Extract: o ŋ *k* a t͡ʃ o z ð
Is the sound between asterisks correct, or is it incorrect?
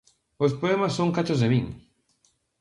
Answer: correct